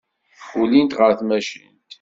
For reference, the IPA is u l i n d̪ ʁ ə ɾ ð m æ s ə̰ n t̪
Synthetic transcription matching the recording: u l i n t̪ ʁ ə ɾ θ m æ ʃ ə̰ n t̪